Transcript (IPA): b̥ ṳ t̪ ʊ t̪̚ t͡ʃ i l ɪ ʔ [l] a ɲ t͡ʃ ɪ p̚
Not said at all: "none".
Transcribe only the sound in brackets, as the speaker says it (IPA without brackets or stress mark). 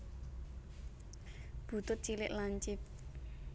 l